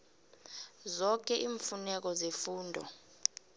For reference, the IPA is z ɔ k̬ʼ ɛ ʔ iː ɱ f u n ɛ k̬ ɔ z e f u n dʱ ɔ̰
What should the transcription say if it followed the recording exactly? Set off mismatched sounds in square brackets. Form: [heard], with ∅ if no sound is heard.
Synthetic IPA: z ɔ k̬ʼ ɛ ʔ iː ɱ f u n ɛ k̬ ɔ z e f [uː] n dʱ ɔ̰